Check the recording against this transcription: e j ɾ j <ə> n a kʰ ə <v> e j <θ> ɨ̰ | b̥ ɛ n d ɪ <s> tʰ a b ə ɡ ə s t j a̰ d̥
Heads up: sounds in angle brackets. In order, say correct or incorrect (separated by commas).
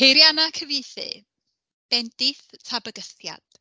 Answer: incorrect, correct, correct, incorrect